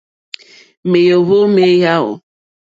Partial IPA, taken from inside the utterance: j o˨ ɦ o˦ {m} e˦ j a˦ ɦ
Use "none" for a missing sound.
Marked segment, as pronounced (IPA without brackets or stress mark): m